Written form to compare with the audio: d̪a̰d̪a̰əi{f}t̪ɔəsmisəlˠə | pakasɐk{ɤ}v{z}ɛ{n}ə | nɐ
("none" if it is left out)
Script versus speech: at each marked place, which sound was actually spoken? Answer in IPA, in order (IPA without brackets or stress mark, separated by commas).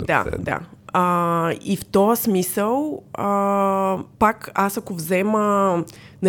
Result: f, o, z, m